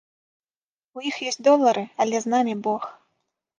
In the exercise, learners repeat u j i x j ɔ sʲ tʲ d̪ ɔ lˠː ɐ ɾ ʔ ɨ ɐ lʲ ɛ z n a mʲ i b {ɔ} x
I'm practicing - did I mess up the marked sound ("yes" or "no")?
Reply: no